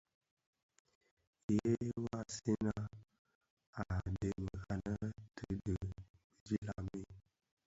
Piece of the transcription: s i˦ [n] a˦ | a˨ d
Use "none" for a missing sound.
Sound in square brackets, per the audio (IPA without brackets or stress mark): n